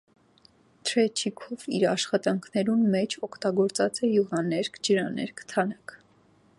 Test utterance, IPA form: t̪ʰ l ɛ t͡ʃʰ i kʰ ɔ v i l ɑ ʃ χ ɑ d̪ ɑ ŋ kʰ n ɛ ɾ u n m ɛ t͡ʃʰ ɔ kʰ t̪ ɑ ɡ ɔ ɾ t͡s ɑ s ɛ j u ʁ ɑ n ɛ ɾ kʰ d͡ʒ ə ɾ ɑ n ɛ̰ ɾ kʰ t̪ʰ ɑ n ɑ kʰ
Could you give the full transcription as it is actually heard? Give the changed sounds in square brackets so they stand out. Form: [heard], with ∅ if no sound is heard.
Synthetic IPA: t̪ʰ [ɾ] ɛ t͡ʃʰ i kʰ ɔ v i [ɾ] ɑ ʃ χ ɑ [t̪] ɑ ŋ kʰ n ɛ ɾ u n m ɛ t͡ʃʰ ɔ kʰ t̪ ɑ ɡ ɔ ɾ t͡s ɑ [t͡s] ɛ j u ʁ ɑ n ɛ ɾ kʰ d͡ʒ ə ɾ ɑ n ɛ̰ ɾ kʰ t̪ʰ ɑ n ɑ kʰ